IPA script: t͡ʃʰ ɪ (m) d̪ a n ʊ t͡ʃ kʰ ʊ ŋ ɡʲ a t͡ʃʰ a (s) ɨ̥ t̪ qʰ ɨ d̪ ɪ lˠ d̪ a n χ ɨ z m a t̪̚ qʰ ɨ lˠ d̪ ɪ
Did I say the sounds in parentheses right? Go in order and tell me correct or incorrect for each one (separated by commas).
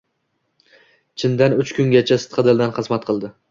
incorrect, correct